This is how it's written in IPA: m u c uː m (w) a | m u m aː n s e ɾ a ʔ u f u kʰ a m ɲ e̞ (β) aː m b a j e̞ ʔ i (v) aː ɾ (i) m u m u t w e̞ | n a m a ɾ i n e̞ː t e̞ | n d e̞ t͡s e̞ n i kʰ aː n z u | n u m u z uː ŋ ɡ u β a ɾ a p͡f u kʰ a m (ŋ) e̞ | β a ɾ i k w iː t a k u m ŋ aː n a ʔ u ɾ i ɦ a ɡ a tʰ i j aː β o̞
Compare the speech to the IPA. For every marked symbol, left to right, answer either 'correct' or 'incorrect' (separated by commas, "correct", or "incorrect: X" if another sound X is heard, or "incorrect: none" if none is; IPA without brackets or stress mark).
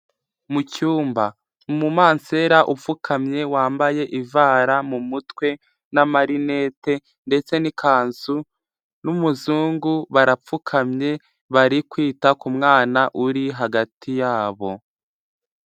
incorrect: b, incorrect: w, correct, incorrect: a, incorrect: ɲ